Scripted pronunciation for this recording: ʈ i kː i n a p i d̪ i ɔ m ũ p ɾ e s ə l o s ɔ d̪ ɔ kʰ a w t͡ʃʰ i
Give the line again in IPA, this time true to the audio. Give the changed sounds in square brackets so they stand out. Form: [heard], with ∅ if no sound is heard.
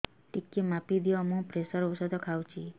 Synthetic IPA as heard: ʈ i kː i [m] a p i d̪ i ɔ m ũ p ɾ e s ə [ɾ] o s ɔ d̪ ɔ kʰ a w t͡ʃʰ i